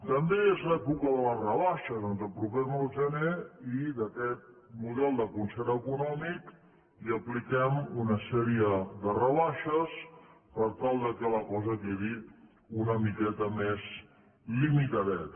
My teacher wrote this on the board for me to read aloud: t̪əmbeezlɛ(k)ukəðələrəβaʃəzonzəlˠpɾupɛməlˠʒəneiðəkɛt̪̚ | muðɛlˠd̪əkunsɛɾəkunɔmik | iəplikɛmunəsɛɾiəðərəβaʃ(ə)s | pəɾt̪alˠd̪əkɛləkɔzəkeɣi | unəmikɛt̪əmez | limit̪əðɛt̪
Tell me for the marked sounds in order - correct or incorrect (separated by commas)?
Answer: incorrect, correct